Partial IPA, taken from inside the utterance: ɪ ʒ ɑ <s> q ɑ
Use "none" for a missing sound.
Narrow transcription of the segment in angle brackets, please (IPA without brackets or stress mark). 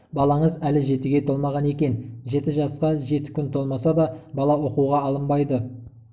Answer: s